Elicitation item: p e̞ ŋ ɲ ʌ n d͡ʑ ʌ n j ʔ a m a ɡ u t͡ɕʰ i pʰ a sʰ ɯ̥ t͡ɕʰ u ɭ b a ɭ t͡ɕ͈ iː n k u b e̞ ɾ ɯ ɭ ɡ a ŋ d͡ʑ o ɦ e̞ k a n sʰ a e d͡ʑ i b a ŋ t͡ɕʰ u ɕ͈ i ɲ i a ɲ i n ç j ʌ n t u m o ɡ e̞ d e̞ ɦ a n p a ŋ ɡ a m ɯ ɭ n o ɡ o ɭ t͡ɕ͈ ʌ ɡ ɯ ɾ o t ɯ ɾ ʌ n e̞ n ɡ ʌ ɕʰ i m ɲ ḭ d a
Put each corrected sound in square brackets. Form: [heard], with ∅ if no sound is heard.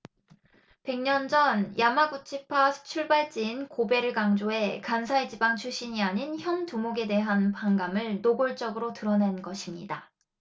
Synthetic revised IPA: p e̞ ŋ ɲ ʌ n d͡ʑ ʌ n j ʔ a m a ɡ u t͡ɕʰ i pʰ a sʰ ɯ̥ t͡ɕʰ u ɭ b a ɭ t͡ɕ͈ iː n k [o] b e̞ ɾ ɯ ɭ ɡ a ŋ d͡ʑ o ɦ e̞ k a n sʰ a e d͡ʑ i b a ŋ t͡ɕʰ u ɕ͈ i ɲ i a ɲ i n ç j ʌ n t u m o ɡ e̞ d e̞ ɦ a n p a ŋ ɡ a m ɯ ɭ n o ɡ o ɭ t͡ɕ͈ ʌ ɡ ɯ ɾ o t ɯ ɾ ʌ n e̞ n ɡ ʌ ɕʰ i m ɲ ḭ d a